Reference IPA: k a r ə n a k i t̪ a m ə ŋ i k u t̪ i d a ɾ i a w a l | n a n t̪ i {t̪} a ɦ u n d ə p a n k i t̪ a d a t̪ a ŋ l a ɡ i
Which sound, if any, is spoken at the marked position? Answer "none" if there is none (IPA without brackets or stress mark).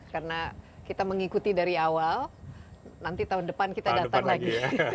t̪